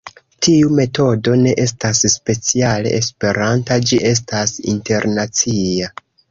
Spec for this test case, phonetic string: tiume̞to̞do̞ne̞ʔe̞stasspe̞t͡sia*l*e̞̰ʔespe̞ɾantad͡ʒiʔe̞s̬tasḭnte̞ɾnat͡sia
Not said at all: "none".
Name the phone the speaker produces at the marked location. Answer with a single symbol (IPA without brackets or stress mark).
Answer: l